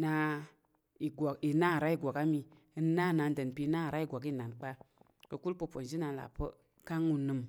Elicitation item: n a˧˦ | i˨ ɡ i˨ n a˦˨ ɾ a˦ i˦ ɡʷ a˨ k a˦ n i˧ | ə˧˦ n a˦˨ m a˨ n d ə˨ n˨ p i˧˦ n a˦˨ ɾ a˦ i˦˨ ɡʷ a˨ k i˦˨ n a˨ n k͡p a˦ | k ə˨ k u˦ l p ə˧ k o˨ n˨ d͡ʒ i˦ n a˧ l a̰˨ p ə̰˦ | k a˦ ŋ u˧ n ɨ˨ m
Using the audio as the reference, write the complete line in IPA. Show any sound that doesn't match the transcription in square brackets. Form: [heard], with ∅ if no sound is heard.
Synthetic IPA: n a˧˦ | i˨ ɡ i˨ n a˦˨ ɾ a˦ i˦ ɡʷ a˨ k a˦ [m] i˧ | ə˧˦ n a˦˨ [n] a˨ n d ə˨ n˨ p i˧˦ n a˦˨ ɾ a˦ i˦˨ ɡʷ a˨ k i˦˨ n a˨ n k͡p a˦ | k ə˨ k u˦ l p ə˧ [p] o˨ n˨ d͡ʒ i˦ n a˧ l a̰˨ p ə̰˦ | k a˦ ŋ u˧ n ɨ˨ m